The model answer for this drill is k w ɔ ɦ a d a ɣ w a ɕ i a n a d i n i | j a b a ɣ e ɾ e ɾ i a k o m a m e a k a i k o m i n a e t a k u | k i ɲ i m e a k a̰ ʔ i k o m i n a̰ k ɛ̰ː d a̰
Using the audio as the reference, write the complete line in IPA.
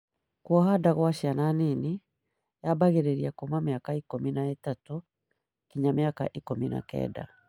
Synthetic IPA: k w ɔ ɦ a d a ɣ w a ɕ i a n a n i n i | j a b a ɣ e ɾ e ɾ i a k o m a m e a k a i k o m i n a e t a t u | k i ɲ a m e a k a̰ ʔ i k o m i n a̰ k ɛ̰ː d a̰

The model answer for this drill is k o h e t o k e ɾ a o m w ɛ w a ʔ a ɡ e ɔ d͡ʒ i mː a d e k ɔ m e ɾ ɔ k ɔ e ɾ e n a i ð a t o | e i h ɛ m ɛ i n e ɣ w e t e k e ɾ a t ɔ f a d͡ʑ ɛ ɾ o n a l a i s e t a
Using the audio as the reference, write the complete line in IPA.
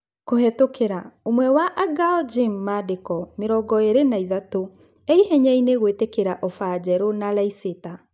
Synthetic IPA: k o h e t o k e ɾ a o m w ɛ w a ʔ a ɡ a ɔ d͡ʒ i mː a d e k ɔ m e ɾ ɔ ɡ ɔ e ɾ e n a i ð a t o | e i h ɛ ɲ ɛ i n e ɣ w e t e k e ɾ a ʔ ɔ f a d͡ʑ ɛ ɾ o n a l a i s e t a

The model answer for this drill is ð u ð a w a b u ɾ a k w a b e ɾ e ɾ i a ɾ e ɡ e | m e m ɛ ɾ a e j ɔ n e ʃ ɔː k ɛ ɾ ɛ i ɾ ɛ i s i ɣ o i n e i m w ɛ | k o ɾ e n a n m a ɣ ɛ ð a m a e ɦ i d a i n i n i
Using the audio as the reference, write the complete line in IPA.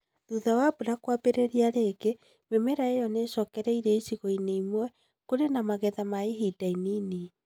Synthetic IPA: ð u ð a w a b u ɾ a k w a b e ɾ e ɾ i a ɾ e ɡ e | m e m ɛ ɾ a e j ɔ n e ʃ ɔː k ɛ ɾ ɛ i ɾ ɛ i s i ɣ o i n e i m w ɛ | k o ɾ e n a m a ɣ ɛ ð a m a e ɦ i d a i n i n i

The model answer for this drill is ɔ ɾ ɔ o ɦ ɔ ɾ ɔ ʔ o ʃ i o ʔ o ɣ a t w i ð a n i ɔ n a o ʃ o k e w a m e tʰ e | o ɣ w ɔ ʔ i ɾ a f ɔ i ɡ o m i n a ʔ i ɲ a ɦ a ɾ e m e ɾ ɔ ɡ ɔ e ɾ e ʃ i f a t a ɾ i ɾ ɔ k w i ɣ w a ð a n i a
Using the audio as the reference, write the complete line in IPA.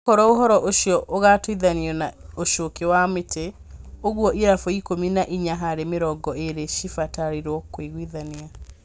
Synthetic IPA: ɔ ɾ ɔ o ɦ ɔ ɾ ɔ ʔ o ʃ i ɔ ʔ o ɣ a t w i ð a n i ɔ n a o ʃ o k e w a m e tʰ e | o ɣ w ɔ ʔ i ɾ a f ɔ i k o m i n a ʔ i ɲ a ɦ a ɾ e m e ɾ ɔ ɡ ɔ e ɾ e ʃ i f a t a ɾ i ɾ ɔ k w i ɣ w i ð a n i a

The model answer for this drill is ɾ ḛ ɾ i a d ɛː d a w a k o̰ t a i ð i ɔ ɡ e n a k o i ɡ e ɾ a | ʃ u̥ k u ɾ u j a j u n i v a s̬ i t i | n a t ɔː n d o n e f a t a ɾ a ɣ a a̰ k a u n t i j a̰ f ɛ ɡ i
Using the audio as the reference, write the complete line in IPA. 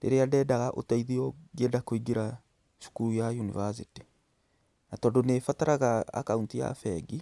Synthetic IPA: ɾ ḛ ɾ e a d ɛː d a ɣ a ʔ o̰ t a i ð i ɔ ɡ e d a k o i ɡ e ɾ a | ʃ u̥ k u ɾ u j a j u n i v a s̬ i t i | n a t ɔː n d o n e f a t a ɾ a ɣ a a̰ k a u n t i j a̰ f ɛ ɡ i

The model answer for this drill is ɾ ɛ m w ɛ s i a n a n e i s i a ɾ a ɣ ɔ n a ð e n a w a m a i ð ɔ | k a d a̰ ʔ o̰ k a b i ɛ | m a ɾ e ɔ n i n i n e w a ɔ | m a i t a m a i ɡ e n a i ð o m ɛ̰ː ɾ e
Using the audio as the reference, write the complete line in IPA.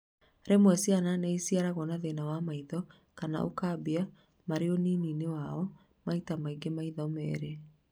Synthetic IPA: ɾ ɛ m w ɛ s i a n a n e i s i a ɾ a ɣ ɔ n a ð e n a w a m a i ð ɔ | k a n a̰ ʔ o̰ k a b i a | m a ɾ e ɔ n i n i n e w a ɔ | m a i t a m a i ɡ e m a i ð ɔ m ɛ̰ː ɾ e

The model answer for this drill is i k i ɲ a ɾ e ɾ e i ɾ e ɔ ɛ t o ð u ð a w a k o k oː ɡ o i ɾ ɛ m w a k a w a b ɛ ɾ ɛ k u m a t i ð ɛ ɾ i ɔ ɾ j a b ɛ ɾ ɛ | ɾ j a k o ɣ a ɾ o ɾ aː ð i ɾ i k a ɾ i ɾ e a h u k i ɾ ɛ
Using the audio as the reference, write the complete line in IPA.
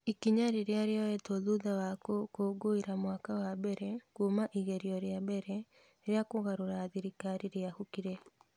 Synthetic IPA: i k i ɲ a ɾ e ɾ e a ɾ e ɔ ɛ t o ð u ð a w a k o k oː ɡ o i ɾ a m w a k a w a b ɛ ɾ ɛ k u m a ʔ i ɣ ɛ ɾ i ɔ ɾ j a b ɛ ɾ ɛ | ɾ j a k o ɣ a ɾ o ɾ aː ð i ɾ i k a ɾ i ɾ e a h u k i ɾ ɛ

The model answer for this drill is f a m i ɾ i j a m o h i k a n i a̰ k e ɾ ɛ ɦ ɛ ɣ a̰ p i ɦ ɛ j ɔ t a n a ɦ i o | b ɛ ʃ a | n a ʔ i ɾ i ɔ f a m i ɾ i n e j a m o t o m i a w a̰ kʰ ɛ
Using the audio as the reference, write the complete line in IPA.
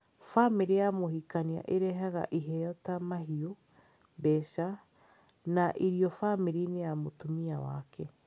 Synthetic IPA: f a m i ɾ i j a m o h i k a n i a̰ ʔ e ɾ ɛ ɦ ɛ ɣ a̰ ʔ i ɦ ɛ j ɔ t a m a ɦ i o | b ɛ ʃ a | n a ʔ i ɾ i ɔ f a m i ɾ i n e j a m o t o m i a w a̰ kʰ ɛ

